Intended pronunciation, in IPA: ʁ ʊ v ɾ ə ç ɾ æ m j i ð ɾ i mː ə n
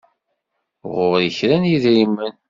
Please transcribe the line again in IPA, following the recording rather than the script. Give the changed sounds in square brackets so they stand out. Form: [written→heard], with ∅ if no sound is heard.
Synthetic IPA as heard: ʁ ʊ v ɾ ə ç ɾ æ [m→n] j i ð ɾ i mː ə n